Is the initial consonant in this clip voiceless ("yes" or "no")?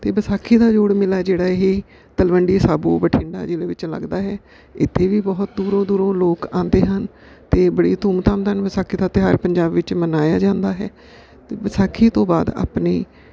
yes